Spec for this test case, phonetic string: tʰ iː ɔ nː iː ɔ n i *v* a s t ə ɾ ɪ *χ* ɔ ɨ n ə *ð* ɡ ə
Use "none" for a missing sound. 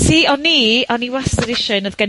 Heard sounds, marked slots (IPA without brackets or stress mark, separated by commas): w, ʃ, ð